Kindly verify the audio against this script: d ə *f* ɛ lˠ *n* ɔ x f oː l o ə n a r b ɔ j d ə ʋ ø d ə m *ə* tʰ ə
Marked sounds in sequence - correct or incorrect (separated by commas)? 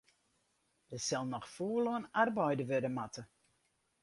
incorrect, correct, incorrect